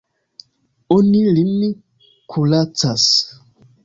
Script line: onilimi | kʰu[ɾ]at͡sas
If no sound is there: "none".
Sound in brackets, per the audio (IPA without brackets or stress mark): l